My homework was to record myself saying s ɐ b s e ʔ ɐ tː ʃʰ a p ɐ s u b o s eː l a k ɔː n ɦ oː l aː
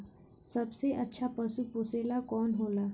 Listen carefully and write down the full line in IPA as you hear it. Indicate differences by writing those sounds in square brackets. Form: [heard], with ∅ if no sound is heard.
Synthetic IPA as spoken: s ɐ b s e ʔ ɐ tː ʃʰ a p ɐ s u [p] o s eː l a k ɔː n ɦ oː l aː